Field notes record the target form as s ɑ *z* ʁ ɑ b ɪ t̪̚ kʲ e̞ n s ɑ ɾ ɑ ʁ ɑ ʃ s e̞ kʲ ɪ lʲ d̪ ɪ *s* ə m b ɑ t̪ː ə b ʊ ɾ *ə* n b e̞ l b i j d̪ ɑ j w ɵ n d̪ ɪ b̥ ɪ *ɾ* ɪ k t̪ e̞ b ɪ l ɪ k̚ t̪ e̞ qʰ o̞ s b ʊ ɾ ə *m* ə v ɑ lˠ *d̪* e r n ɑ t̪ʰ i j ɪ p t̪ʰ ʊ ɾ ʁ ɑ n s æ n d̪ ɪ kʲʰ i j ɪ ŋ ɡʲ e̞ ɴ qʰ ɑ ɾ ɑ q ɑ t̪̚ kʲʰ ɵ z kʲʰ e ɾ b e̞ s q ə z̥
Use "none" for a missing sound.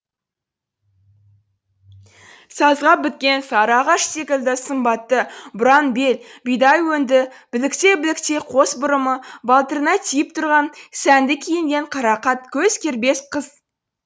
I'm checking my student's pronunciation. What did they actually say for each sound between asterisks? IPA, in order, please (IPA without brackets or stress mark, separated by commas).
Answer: z, s, ɑ, l, m, t̪